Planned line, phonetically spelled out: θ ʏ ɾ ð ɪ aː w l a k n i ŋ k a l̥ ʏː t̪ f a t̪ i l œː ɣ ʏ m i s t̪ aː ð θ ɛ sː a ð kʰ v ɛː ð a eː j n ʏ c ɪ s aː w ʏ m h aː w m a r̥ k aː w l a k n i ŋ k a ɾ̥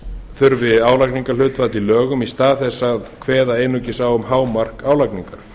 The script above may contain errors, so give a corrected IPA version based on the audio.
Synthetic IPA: θ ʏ ɾ v ɪ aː w l a k n i ŋ k a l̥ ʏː t̪ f a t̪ i l œː ɣ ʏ m i s t̪ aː ð θ ɛ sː a ð kʰ v ɛː ð a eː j n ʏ c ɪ s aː w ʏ m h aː w m a r̥ k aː w l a k n i ŋ k a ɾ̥

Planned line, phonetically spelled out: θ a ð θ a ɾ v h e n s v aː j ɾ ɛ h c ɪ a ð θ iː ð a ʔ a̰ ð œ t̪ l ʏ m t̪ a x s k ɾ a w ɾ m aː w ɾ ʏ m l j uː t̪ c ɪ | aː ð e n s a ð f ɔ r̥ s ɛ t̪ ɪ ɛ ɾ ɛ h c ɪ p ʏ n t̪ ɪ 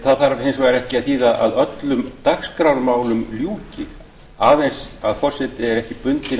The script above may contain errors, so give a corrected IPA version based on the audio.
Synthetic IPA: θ a ð θ a ɾ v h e n s v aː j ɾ ɛ h c ɪ a ð θ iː ð a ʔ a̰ ð œ t̪ l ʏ m t̪ a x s k ɾ a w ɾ m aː w l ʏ m l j uː c ɪ | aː ð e n s a ð f ɔ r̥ s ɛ t̪ ɪ ɛ ɾ ɛ h c ɪ p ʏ n t̪ ɪ

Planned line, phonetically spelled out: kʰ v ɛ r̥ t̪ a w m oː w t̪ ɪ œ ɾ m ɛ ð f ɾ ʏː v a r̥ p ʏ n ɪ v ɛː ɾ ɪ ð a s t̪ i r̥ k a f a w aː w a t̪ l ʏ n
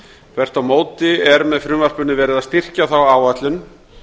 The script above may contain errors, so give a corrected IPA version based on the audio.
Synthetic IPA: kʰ v ɛ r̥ t̪ a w m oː w t̪ ɪ ɛ ɾ m ɛ ð f ɾ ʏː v a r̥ p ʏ n ɪ v ɛː ɾ ɪ ð a s t̪ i r̥ c a θ a w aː w a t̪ l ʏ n

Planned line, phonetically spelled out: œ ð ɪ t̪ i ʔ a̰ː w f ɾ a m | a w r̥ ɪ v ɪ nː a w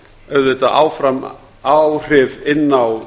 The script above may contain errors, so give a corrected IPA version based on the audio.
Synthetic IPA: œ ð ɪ t̪ a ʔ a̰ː w f ɾ a m | a w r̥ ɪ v ɪ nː a w

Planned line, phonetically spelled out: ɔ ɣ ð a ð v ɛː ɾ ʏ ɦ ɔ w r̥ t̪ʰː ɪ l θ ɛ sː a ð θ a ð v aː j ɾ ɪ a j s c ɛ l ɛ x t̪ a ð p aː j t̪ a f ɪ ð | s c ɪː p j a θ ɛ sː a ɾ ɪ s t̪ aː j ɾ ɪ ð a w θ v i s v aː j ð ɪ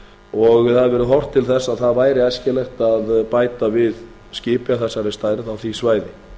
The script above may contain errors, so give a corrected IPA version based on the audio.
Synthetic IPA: ɔ ɣ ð a ð v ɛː ɾ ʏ ɦ ɔ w r̥ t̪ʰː ɪ l θ ɛ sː a ð θ a ð v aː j ɾ ɪ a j s c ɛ l ɛ x t̪ a ð p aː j t̪ a v ɪ ð | s c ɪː p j a θ ɛ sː a ɾ ɪ s t̪ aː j ɾ ɪ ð a w θ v i s v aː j ð ɪ

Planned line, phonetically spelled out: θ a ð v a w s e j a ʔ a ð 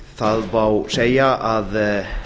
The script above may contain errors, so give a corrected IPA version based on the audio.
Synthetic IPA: θ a ð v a w s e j a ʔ a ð

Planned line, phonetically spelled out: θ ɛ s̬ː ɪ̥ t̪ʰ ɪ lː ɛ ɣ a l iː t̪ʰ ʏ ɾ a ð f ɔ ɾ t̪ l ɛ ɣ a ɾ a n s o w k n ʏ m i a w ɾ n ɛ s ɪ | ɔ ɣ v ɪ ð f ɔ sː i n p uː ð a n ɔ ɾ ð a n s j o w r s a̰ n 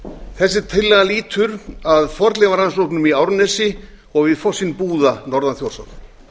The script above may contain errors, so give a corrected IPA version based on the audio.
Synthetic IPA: θ ɛ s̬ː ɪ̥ t̪ʰ ɪ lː ɛ ɣ a l iː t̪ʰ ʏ ɾ a ð f ɔ ɾ t̪ l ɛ v a ɾ a n s o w k n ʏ m i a w ɾ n ɛ s ɪ | ɔ ɣ v ɪ ð f ɔ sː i n p uː ð a n ɔ ɾ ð a n θ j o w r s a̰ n

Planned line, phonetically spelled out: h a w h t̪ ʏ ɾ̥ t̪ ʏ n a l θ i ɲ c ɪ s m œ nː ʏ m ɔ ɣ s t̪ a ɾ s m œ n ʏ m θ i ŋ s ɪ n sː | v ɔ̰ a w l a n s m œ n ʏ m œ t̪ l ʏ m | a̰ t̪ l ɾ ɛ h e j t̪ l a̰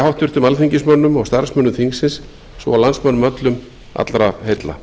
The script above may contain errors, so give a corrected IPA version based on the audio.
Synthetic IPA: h a w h t̪ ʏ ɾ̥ t̪ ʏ m a l θ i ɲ c ɪ s m œ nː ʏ m ɔ ɣ s t̪ a ɾ s m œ n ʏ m θ i ŋ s ɪ n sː | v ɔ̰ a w l a n s m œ n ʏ m œ t̪ l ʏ m | a̰ t̪ l ɾ a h e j t̪ l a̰

